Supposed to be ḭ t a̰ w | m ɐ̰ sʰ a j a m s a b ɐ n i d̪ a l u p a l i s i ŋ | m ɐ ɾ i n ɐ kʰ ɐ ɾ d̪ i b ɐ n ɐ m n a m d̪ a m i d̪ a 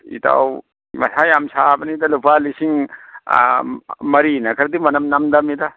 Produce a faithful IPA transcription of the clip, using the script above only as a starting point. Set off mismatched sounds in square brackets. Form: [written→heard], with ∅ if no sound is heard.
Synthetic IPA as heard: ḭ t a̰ w | m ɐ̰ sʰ a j a m s a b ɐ n i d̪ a l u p a l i s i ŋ | m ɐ ɾ i n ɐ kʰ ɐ ɾ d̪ i [b→m] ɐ n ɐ m n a m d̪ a m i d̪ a